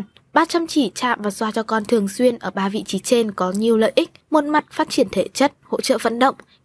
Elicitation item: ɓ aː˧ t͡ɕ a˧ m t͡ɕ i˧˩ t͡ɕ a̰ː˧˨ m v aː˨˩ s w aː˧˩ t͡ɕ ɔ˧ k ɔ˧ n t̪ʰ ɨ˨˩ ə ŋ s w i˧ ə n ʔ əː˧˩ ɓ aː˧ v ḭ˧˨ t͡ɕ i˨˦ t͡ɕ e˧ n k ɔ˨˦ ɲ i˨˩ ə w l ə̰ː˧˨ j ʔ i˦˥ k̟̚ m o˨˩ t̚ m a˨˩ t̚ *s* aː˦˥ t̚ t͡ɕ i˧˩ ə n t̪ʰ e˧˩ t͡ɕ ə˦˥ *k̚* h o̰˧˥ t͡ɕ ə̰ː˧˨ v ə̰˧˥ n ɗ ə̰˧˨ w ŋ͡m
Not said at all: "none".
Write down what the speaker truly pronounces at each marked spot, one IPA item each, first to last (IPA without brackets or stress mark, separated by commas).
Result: f, t̚